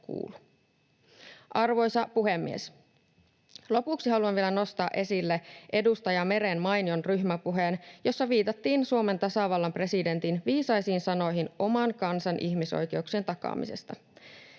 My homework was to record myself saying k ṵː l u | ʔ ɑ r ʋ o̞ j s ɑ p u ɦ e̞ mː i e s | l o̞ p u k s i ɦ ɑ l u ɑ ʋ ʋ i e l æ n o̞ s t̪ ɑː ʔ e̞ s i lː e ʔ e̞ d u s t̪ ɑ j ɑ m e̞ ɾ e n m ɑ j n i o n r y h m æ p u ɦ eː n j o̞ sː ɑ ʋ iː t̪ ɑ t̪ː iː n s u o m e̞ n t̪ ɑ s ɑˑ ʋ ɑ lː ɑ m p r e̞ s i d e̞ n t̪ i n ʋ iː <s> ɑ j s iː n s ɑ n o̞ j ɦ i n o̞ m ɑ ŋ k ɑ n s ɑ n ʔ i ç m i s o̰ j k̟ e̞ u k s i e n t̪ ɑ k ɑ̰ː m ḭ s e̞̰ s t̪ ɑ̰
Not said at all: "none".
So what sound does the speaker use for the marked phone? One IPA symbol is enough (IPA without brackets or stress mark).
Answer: s